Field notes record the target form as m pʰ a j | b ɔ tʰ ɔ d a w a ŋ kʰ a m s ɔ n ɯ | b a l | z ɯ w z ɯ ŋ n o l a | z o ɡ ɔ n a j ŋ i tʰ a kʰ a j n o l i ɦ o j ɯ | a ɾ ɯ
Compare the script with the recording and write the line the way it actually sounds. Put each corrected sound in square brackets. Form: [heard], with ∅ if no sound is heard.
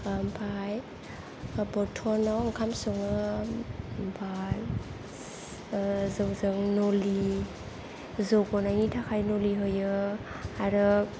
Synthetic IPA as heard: m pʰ a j | b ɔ tʰ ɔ [n] a w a ŋ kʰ a m s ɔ [ŋ] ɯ | b a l | z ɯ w z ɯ ŋ n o l [i] | z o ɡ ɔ n a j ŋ i tʰ a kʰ a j n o l i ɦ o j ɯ | a ɾ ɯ